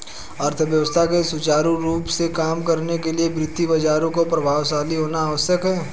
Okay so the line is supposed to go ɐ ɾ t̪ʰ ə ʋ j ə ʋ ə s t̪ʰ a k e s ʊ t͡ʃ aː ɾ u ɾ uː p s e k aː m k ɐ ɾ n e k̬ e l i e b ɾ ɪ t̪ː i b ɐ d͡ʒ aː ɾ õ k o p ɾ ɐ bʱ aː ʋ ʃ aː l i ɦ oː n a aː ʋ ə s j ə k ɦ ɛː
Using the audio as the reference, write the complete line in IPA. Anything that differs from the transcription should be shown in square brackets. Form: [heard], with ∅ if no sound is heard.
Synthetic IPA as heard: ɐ ɾ t̪ʰ ə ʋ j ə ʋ ə s t̪ʰ a k e s ʊ t͡ʃ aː ɾ u ɾ uː p s e k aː m k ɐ ɾ n e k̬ e l i e b ɾ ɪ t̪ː i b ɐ d͡ʒ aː ɾ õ k o p ɾ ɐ bʱ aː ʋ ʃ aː l i ɦ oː n a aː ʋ ə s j ə k ɦ ɛː